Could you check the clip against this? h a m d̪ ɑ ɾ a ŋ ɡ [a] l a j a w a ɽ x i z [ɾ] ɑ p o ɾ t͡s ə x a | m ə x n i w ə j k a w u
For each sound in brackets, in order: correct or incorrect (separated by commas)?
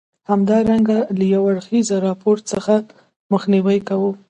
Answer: correct, correct